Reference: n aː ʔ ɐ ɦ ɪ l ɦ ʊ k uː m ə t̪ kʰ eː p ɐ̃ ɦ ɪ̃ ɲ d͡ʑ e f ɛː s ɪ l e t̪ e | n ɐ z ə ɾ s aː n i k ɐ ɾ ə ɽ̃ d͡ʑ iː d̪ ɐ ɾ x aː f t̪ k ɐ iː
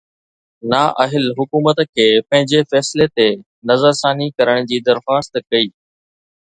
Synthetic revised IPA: n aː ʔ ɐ ɦ ɪ l ɦ ʊ k uː m ə t̪ kʰ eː p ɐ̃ ɦ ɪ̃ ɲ d͡ʑ e f ɛː s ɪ l e t̪ e | n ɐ z ə ɾ s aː n i k ɐ ɾ ə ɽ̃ d͡ʑ iː d̪ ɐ ɾ x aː s t̪ k ɐ iː